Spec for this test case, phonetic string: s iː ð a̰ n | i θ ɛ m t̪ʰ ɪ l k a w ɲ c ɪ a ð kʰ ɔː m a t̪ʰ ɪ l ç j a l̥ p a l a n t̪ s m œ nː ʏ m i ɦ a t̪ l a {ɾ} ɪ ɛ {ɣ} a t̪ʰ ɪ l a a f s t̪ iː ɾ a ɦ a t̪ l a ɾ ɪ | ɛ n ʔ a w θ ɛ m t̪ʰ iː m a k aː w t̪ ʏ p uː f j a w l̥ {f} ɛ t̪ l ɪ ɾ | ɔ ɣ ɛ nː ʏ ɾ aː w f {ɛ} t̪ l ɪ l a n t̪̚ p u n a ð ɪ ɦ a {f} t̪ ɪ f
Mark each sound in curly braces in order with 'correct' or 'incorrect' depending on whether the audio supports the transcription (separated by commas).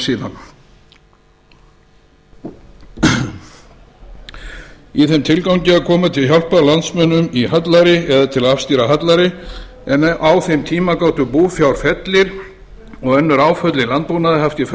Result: correct, incorrect, correct, incorrect, correct